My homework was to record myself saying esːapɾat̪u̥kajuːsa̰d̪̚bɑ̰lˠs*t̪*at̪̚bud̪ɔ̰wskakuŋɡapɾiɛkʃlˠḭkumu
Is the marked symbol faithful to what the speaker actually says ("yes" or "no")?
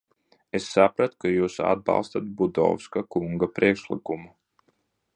yes